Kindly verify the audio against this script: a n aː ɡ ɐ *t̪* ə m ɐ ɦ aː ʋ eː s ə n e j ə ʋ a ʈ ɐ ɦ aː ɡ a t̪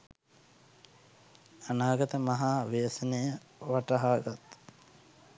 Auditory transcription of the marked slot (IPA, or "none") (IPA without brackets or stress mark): t̪